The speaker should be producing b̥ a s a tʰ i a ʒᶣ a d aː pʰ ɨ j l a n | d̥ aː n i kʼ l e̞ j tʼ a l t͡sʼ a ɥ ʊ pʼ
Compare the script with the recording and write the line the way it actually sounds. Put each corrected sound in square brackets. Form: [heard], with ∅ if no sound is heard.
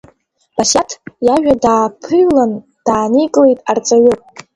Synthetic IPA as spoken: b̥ a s a tʰ [j] a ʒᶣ a d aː pʰ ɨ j l a n | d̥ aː n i kʼ l e̞ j tʼ a [r] t͡sʼ a ɥ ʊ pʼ